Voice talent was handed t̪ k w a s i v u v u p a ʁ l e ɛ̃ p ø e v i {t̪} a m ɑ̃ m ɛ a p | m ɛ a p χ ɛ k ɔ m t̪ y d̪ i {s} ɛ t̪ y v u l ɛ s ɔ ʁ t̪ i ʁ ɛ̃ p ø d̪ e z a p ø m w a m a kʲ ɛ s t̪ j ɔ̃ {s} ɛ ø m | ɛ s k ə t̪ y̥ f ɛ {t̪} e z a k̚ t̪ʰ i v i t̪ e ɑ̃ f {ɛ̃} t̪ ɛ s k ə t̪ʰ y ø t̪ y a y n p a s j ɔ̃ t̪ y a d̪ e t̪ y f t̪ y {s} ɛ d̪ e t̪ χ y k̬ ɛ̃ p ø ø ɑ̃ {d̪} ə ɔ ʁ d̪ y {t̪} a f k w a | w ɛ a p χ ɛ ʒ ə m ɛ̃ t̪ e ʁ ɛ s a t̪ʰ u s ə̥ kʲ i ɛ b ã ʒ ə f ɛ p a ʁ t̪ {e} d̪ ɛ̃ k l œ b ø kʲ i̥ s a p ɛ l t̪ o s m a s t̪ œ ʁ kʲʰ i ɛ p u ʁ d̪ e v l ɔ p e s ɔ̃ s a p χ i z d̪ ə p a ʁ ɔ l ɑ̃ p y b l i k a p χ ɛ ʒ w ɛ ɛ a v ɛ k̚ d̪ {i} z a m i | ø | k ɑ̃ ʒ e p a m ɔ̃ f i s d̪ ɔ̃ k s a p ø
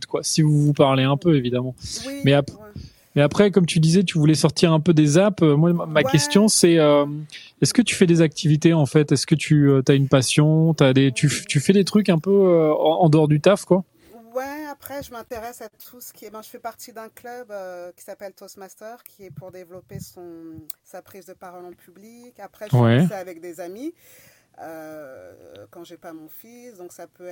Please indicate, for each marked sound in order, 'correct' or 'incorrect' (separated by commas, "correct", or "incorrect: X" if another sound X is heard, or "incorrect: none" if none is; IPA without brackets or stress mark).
incorrect: d̪, incorrect: z, correct, incorrect: d̪, incorrect: ɛ, incorrect: f, correct, correct, incorrect: i, incorrect: e